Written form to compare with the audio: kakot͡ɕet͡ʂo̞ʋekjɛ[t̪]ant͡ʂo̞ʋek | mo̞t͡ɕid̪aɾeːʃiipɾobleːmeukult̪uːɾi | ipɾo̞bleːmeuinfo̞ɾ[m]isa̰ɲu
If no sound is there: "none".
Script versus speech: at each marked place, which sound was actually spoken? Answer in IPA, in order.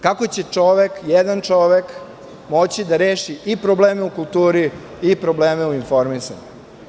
d̪, m

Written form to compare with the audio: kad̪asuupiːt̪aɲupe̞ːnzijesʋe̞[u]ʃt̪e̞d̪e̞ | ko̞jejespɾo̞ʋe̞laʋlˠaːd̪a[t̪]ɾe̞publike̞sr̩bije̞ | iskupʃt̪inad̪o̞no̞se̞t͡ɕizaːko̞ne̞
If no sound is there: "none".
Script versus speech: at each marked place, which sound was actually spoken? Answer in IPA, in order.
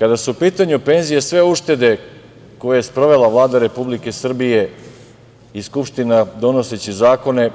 u, none

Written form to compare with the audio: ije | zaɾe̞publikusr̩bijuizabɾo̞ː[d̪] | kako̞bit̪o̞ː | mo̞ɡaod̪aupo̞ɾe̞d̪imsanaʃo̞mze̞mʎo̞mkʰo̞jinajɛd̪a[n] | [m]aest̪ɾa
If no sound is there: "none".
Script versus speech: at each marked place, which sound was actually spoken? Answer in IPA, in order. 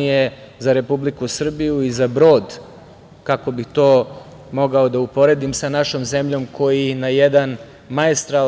d̪, n, m

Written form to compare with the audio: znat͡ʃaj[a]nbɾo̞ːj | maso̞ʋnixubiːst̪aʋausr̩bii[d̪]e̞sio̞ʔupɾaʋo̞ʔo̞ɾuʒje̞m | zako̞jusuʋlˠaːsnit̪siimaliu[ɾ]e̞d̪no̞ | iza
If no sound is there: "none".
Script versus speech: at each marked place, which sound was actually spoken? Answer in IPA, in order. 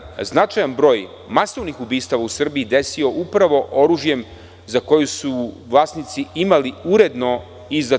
a, d̪, ɾ

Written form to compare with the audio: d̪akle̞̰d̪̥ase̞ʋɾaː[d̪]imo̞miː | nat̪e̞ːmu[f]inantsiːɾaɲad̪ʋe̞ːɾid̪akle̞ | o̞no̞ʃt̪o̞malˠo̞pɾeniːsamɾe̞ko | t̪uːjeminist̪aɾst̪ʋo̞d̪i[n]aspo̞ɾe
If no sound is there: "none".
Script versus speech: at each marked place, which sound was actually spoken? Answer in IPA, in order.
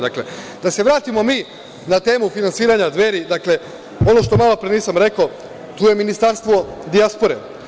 t̪, f, none

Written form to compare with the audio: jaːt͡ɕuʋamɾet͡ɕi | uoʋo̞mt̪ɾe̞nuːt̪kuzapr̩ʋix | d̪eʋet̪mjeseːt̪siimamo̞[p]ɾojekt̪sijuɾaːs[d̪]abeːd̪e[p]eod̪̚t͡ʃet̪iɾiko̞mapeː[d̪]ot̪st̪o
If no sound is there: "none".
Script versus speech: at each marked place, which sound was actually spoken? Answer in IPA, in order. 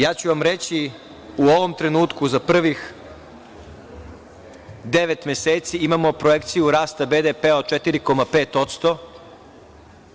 p, t̪, p, t̪

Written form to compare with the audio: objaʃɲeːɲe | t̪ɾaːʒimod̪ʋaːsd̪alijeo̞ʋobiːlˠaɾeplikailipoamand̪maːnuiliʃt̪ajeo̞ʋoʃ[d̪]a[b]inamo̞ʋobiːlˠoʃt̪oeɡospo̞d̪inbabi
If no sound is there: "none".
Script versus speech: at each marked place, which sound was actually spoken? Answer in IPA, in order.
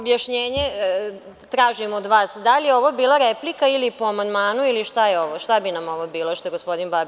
t̪, b

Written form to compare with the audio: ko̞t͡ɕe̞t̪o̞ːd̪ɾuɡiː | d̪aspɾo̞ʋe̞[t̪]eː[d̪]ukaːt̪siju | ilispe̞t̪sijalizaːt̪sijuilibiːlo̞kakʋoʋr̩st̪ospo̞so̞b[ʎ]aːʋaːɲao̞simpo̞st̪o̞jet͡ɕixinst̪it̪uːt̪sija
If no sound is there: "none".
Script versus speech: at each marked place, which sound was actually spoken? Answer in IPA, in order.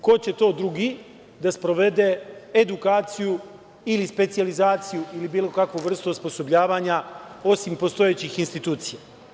d̪, d̪, ʎ

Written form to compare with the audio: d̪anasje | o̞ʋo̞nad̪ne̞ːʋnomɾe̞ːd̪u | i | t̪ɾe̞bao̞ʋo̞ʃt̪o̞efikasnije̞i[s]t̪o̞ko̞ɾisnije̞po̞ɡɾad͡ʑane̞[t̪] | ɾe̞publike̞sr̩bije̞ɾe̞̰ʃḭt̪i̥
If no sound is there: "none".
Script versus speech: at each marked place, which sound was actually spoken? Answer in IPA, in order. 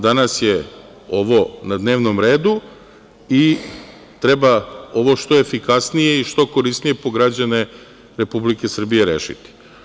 ʃ, none

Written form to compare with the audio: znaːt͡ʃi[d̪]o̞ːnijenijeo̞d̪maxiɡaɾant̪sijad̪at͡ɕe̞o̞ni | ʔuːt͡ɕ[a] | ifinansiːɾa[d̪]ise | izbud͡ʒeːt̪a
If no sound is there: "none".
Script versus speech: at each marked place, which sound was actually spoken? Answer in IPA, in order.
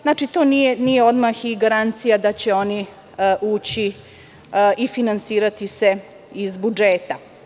t̪, i, t̪

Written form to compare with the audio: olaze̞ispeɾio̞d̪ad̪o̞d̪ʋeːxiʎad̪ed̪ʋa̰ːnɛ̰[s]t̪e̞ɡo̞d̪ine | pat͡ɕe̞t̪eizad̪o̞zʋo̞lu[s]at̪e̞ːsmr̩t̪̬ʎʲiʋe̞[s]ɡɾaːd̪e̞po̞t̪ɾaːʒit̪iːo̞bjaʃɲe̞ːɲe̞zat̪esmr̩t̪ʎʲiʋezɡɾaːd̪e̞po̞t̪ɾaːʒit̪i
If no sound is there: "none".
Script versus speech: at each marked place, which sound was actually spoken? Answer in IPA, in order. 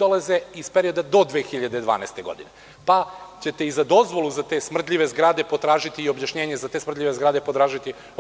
s, z, z

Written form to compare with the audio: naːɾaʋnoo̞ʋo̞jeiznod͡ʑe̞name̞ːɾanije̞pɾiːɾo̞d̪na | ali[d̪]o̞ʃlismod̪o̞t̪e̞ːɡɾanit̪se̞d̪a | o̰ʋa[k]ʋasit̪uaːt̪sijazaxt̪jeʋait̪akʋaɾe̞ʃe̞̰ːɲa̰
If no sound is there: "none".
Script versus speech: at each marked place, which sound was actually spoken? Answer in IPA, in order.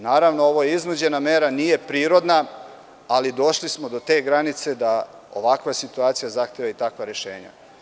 d̪, k

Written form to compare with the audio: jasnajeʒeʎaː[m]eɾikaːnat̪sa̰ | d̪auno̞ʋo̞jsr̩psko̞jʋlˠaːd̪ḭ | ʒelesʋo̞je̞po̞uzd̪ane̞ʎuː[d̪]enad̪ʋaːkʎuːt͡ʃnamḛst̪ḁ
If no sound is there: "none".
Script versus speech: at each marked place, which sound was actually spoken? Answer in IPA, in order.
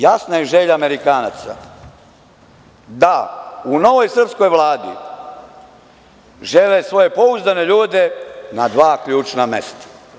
m, d̪

